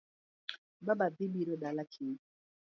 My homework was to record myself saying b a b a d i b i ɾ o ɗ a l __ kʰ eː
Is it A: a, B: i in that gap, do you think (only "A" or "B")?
A